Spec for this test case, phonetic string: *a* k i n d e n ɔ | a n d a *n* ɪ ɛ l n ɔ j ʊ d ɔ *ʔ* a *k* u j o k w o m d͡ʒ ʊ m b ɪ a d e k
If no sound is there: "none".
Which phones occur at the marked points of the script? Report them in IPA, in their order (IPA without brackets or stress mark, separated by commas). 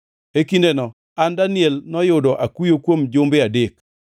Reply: e, n, ʔ, k